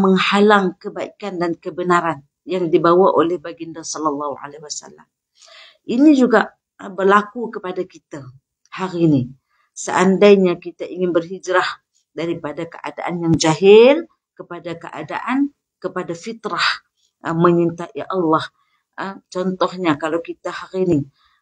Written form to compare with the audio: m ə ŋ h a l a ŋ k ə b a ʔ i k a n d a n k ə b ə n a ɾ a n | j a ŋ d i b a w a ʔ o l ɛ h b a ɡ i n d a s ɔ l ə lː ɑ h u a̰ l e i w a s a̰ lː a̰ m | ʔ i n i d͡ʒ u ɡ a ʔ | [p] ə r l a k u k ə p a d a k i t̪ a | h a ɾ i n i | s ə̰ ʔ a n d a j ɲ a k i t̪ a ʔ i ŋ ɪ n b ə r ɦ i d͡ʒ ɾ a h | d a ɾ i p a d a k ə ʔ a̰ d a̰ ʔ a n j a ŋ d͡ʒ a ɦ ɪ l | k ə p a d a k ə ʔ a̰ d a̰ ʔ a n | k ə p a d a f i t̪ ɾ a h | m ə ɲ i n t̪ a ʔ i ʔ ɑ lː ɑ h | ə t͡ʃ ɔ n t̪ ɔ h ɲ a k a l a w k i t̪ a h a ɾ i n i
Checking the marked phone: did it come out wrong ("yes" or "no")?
yes